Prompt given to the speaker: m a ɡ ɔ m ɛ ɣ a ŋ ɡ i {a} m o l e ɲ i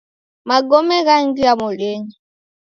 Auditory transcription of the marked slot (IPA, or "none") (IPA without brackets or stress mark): a